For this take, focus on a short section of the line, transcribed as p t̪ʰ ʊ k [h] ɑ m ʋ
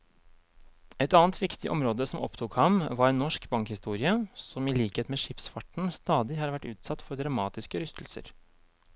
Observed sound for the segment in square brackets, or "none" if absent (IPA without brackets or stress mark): h